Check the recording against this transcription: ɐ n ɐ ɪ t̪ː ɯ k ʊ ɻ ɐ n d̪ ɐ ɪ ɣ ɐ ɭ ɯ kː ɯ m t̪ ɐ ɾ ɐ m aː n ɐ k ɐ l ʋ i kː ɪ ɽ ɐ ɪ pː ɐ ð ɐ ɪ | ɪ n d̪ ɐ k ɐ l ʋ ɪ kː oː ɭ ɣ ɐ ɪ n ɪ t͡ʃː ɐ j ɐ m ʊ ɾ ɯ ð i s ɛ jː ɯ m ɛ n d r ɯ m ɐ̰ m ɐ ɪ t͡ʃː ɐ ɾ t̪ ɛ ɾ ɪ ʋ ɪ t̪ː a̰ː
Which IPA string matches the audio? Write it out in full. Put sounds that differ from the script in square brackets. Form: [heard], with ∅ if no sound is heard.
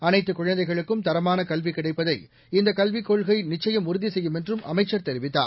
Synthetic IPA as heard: ɐ n ɐ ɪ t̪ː ɯ k ʊ ɻ ɐ n d̪ ɐ ɪ ɣ ɐ ɭ ɯ kː ɯ m t̪ ɐ ɾ ɐ m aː n ɐ k ɐ l ʋ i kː ɪ ɽ ɐ ɪ pː ɐ ð ɐ ɪ | ɪ n d̪ ɐ k ɐ l ʋ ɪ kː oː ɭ ɣ ɐ ɪ n ɪ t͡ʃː ɐ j ɐ m ʊ ɾ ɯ ð i s ɛ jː ɯ m ɛ n d r ɯ m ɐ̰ m ɐ ɪ t͡ʃː ɐ ɾ t̪ ɛ ɾ ɪ ʋ ɪ t̪ː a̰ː